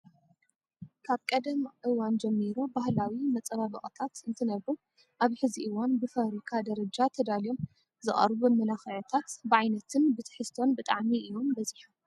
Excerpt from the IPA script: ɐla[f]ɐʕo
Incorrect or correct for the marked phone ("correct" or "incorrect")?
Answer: incorrect